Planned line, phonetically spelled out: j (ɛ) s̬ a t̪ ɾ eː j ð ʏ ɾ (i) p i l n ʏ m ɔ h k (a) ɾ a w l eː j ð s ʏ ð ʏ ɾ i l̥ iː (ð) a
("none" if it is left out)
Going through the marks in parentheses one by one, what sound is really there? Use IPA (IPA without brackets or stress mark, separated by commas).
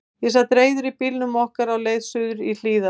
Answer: ɛ, i, a, ð